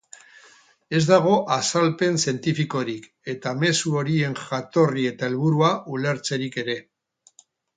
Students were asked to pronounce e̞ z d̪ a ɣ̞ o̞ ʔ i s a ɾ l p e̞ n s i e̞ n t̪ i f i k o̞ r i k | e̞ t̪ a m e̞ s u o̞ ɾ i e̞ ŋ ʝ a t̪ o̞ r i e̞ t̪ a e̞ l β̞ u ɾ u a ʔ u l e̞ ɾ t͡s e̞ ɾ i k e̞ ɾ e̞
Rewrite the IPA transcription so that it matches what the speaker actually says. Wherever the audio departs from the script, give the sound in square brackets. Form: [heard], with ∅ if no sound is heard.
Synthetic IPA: e̞ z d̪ a ɣ̞ o̞ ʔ [a] s a [∅] l p e̞ n s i e̞ n t̪ i f i k o̞ [ɾ] i k | e̞ t̪ a m e̞ s u o̞ ɾ i e̞ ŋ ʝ a t̪ o̞ r i e̞ t̪ a e̞ l β̞ u ɾ u a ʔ u l e̞ ɾ t͡s e̞ ɾ i k e̞ ɾ e̞